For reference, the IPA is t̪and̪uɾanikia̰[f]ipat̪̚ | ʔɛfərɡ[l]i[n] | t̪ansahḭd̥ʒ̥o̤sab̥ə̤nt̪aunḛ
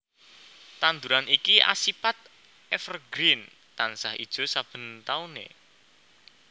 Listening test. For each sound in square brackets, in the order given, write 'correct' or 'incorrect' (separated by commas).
incorrect, incorrect, correct